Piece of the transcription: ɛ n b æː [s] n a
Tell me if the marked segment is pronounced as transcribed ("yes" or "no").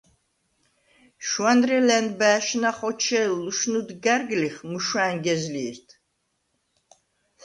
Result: no